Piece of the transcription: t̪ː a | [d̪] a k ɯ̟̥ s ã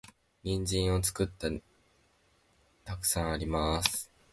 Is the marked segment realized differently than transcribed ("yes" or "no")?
yes